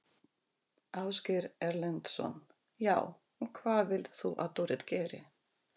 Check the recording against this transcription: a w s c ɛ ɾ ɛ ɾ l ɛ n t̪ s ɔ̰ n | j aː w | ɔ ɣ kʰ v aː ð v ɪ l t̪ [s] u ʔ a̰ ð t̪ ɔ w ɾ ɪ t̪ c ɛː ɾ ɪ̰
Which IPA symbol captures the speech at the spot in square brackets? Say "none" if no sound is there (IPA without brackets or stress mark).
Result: θ